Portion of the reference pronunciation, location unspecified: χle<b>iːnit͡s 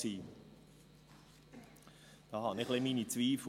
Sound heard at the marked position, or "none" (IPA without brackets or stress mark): m